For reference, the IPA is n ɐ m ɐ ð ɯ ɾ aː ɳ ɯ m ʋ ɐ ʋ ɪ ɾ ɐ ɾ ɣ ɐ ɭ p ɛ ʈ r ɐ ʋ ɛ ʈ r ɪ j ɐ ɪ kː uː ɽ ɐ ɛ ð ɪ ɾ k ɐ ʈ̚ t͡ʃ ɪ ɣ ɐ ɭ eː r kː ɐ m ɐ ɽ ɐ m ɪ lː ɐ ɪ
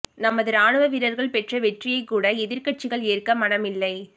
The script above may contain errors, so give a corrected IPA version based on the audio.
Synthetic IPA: n ɐ m ɐ ð ɯ ɾ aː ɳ ɯ ʋ ɐ ʋ ɪ ɾ ɐ ɾ ɣ ɐ ɭ p ɛ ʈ r ɐ ʋ ɛ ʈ r ɪ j ɐ ɪ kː uː ɽ ɐ ɛ ð ɪ ɾ k ɐ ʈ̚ t͡ʃ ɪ ɣ ɐ ɭ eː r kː ɐ m ɐ ɽ ɐ m ɪ lː ɐ ɪ